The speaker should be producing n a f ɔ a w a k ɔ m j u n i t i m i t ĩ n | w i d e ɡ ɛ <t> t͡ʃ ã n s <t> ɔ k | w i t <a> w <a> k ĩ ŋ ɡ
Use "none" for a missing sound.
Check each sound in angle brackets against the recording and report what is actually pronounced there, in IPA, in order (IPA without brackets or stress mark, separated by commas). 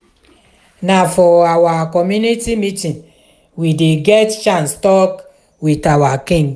t, t, a, a